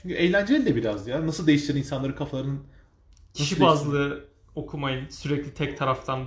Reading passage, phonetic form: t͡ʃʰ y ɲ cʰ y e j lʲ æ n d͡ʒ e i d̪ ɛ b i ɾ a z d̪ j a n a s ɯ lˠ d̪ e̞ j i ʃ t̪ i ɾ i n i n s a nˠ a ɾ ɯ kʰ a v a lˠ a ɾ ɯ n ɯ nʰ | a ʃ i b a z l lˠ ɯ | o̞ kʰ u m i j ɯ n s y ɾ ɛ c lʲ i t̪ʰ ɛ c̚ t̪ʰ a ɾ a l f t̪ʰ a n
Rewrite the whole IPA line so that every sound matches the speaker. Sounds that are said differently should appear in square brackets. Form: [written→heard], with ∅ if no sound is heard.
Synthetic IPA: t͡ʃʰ y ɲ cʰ y e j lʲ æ n d͡ʒ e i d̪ ɛ b i ɾ a z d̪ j a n a s ɯ lˠ d̪ e̞ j i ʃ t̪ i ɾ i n i n s a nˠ a ɾ ɯ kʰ a [v→f] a lˠ a ɾ ɯ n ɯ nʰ | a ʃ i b a z l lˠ ɯ | o̞ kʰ u m [i→a] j ɯ n s y ɾ ɛ c lʲ i t̪ʰ ɛ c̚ t̪ʰ a ɾ a [l→∅] f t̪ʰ a n